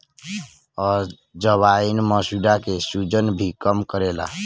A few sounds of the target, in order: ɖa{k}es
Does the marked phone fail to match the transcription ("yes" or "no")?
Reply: no